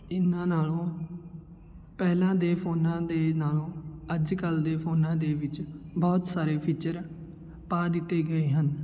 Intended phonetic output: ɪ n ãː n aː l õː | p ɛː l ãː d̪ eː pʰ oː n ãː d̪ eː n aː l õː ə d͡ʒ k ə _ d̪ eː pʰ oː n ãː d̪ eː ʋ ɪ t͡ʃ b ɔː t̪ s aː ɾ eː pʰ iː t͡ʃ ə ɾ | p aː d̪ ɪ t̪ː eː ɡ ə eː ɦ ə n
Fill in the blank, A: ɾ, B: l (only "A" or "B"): B